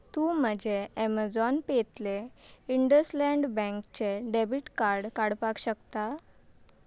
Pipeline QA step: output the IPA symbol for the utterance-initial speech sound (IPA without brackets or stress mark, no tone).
t̪